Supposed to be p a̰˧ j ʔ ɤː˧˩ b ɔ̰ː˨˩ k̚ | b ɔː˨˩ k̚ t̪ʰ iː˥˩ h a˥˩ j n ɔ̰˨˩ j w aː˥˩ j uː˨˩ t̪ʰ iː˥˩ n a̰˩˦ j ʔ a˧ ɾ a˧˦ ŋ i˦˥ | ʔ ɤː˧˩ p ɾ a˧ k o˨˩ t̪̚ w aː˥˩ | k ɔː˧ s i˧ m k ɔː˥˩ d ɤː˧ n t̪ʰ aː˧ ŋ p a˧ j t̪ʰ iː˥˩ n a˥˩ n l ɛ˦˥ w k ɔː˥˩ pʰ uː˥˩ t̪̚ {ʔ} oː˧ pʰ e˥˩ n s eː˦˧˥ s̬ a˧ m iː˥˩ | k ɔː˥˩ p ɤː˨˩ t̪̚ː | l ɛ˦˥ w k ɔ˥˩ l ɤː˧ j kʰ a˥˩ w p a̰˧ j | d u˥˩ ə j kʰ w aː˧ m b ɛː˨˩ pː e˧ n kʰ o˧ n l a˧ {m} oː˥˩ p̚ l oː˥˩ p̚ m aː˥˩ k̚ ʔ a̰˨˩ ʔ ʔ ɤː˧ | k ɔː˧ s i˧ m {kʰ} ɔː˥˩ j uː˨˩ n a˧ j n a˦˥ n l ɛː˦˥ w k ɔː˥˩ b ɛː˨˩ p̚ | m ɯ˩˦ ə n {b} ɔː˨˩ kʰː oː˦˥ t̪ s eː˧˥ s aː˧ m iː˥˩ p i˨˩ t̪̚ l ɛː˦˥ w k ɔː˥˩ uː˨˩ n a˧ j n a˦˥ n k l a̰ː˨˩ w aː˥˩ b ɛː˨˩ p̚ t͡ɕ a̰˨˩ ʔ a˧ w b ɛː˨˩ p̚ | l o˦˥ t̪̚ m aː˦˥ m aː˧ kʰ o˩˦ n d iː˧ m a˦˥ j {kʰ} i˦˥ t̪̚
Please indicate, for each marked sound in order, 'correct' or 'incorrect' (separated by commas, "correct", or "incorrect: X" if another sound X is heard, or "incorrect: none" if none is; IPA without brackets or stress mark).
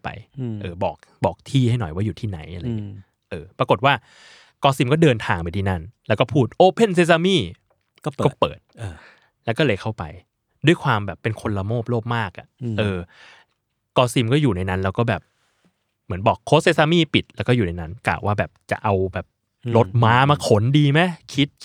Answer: correct, correct, incorrect: k, correct, correct